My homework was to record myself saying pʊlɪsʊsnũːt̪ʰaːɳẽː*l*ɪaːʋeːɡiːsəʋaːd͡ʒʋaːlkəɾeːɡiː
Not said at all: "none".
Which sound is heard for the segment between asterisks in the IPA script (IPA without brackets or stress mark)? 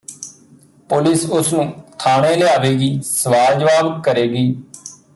l